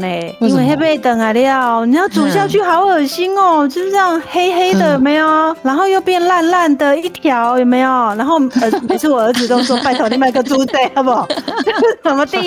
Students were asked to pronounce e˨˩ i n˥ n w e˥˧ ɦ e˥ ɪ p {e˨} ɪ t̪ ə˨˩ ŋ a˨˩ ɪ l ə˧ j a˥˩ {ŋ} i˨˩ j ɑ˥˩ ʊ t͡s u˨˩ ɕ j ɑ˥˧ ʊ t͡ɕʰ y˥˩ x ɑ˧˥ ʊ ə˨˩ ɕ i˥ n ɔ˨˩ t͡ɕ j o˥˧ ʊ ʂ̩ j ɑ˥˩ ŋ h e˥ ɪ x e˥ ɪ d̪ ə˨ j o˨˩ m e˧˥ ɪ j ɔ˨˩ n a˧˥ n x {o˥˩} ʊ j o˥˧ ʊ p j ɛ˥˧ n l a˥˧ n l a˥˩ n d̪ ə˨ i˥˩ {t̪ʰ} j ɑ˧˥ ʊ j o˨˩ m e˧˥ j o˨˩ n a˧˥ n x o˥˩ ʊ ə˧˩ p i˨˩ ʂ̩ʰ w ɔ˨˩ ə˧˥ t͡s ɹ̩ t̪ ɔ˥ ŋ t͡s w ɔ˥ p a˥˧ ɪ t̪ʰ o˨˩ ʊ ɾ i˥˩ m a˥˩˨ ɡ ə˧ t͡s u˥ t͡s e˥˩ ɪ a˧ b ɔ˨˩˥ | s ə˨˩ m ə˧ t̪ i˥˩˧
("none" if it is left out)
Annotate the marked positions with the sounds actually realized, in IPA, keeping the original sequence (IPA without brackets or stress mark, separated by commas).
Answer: e˥˩, n, o˥˧, t̪ʰ